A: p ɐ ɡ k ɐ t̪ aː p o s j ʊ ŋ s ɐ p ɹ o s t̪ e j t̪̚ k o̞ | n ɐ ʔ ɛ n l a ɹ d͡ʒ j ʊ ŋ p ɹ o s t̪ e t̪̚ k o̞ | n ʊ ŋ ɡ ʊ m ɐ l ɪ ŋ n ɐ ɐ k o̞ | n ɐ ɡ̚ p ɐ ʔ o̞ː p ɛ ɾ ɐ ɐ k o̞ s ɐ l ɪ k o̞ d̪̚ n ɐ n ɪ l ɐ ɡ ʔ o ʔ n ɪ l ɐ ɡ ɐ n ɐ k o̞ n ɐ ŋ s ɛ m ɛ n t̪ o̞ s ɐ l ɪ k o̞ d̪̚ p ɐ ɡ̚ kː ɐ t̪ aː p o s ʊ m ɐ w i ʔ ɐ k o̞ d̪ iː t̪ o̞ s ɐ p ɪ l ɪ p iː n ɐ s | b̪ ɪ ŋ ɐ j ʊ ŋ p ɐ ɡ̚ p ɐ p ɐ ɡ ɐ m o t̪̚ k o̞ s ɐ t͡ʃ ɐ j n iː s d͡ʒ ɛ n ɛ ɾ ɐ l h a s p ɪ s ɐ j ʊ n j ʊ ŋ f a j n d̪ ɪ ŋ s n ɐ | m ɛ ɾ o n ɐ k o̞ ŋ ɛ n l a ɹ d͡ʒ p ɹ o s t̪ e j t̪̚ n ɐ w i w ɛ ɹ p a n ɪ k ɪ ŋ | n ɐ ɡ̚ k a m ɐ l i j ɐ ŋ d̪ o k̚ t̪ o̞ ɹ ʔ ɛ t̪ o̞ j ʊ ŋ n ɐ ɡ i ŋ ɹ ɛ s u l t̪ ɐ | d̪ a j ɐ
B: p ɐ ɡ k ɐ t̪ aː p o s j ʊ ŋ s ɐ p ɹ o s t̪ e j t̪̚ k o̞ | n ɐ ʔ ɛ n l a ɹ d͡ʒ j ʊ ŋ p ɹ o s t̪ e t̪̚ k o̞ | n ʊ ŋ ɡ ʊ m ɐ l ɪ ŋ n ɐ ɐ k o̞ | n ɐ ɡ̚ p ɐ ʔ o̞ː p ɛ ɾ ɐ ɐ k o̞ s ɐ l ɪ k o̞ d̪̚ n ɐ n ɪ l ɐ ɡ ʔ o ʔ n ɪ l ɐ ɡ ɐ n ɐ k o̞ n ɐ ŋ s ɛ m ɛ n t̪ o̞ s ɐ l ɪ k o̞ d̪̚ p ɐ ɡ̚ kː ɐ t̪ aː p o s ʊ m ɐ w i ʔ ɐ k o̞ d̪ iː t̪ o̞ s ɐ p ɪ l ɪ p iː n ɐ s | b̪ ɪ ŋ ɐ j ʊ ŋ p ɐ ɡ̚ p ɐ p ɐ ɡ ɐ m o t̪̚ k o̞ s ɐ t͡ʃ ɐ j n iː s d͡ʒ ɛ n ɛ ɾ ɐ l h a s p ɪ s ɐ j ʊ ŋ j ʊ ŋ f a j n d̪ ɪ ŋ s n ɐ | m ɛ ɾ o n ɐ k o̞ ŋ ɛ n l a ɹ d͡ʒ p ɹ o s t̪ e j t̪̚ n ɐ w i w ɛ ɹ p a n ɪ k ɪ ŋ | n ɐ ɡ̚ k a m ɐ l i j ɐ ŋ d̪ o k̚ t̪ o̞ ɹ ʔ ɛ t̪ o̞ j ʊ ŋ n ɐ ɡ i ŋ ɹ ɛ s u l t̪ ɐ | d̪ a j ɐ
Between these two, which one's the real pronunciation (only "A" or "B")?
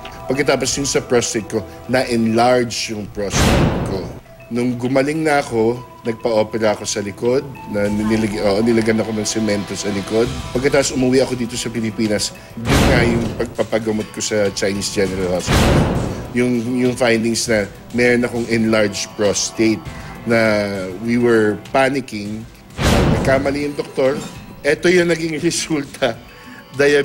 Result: B